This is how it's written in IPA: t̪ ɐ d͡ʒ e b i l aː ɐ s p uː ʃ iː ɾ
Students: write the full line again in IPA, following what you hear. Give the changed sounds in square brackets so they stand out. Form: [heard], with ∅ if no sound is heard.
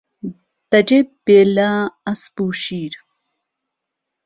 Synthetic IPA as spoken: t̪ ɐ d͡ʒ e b [e] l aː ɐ s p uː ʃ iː ɾ